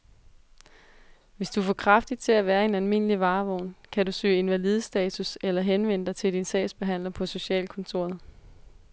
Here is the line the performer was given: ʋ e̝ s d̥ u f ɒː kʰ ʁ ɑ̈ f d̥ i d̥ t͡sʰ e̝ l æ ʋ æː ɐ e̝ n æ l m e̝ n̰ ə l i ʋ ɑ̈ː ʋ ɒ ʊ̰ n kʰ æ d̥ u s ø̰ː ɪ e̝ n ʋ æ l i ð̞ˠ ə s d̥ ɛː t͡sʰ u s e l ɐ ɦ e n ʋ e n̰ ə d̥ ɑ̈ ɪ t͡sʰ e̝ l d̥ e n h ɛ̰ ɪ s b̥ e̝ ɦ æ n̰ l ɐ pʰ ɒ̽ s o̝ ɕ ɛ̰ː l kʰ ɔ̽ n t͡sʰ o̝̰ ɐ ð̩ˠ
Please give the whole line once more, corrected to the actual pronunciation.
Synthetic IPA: ʋ e̝ s d̥ u f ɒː kʰ ʁ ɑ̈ f d̥ i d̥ t͡sʰ e̝ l æ ʋ æː ɐ e̝ n æ l m e̝ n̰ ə l i ʋ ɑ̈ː ʋ ɒ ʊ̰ n kʰ æ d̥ u s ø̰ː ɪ e̝ n ʋ æ l i ð̞ˠ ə s d̥ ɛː t͡sʰ u s e l ɐ ɦ e n ʋ e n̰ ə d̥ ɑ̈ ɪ t͡sʰ e̝ l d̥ i n s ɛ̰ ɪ s b̥ e̝ ɦ æ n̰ l ɐ pʰ ɒ̽ s o̝ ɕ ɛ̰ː l kʰ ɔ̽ n t͡sʰ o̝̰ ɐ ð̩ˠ